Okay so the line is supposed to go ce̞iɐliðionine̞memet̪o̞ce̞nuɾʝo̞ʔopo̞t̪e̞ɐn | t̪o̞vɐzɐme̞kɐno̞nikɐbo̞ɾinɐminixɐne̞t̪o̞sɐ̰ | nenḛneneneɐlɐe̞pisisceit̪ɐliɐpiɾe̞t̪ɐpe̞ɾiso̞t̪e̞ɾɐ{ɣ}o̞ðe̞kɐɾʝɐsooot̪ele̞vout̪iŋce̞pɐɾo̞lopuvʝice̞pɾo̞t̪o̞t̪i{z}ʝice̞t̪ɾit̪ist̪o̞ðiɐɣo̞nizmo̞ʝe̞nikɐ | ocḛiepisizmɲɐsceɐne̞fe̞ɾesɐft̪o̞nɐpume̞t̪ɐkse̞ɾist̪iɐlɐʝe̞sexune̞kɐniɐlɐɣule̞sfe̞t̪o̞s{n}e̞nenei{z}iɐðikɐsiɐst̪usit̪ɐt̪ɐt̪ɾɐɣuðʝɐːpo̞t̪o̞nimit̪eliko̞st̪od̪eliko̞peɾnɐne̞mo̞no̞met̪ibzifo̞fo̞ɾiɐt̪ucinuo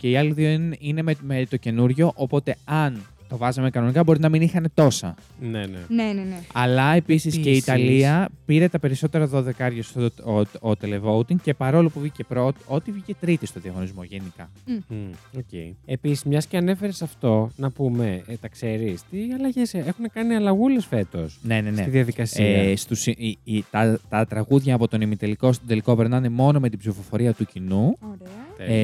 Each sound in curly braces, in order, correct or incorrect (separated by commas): incorrect, incorrect, correct, incorrect